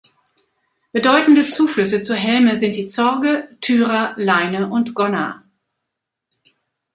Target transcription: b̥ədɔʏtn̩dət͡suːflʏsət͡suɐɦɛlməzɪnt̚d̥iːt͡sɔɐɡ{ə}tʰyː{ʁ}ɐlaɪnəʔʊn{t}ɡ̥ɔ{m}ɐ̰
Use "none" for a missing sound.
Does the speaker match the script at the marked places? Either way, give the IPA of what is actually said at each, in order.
ə, ʁ, t, n

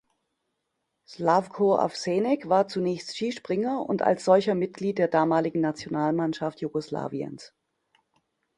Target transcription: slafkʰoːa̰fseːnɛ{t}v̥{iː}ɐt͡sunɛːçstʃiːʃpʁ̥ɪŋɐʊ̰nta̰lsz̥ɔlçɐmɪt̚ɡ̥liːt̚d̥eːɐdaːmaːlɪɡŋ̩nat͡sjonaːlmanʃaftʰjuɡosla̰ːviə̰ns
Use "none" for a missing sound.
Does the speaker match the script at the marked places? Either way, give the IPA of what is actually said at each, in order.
k, aː

